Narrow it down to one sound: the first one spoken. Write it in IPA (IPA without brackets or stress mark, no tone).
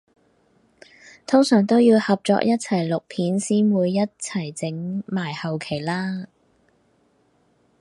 t̪ʰ